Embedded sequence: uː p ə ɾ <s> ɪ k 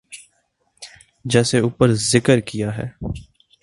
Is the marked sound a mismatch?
yes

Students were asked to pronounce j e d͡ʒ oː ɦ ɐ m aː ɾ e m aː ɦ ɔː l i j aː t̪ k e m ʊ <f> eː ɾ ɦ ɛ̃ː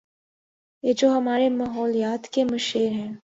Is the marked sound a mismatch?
yes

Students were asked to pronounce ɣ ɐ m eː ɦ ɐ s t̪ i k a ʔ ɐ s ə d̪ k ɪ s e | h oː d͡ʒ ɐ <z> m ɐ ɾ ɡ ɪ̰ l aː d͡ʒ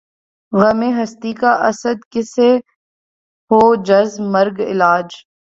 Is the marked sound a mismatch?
no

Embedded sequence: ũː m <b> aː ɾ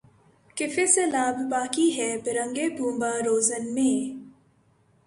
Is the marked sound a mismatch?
no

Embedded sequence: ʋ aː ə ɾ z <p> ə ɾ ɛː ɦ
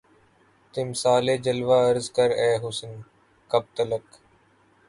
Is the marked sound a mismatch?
yes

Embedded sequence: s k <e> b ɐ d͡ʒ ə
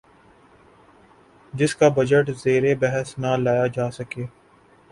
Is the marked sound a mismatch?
yes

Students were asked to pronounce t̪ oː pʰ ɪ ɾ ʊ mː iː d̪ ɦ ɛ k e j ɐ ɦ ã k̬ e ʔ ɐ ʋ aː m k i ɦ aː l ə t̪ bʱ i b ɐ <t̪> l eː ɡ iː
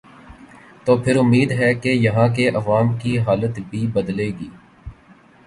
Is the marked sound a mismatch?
yes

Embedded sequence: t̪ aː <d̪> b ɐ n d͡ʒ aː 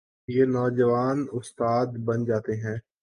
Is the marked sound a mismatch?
no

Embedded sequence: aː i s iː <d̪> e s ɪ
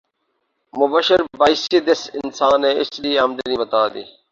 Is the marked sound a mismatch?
no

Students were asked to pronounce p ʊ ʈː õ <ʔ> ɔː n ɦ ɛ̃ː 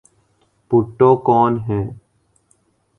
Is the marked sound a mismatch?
yes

